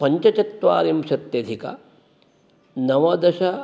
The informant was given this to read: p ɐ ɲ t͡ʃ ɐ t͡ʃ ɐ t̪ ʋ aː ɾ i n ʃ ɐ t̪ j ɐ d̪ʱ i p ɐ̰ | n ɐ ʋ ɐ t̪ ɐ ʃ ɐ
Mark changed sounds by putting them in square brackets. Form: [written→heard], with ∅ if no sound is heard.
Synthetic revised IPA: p ɐ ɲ t͡ʃ ɐ t͡ʃ ɐ t̪ ʋ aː ɾ i [n→m] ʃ ɐ t̪ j ɐ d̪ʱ i [p→k] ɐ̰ | n ɐ ʋ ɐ [t̪→d̪] ɐ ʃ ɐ